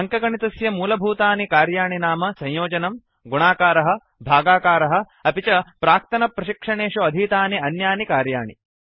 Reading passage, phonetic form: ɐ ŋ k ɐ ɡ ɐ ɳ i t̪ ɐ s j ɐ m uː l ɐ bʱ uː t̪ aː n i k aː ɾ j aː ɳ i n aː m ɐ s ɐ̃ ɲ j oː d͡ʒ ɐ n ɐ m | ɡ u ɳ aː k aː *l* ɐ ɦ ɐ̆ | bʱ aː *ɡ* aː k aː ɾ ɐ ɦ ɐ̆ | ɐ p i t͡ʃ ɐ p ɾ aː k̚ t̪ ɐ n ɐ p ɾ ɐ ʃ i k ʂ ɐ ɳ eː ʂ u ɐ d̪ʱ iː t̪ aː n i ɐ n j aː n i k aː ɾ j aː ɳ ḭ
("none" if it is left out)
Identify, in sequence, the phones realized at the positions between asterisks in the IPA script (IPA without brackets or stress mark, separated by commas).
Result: ɾ, ɡ